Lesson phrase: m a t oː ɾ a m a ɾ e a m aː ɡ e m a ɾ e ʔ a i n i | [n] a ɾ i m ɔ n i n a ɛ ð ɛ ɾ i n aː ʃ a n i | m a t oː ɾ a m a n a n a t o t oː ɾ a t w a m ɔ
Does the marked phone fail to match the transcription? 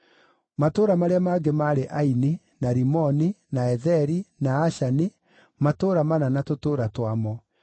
no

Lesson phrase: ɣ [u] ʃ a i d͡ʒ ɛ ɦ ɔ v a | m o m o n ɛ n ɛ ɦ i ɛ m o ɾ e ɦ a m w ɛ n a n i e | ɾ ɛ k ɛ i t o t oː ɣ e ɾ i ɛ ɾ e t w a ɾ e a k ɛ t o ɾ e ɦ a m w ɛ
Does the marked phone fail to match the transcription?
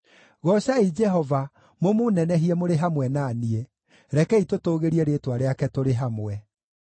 yes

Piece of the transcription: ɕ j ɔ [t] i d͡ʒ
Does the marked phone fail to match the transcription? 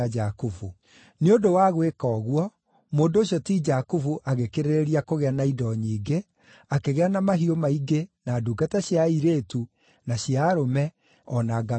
no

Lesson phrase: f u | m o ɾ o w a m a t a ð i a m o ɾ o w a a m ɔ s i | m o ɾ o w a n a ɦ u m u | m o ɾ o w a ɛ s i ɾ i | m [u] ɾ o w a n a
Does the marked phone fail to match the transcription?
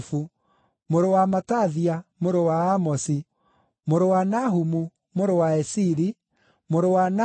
yes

